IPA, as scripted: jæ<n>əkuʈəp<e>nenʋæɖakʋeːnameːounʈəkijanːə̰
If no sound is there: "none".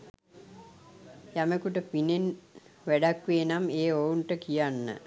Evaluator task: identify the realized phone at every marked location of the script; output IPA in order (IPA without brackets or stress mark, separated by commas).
m, i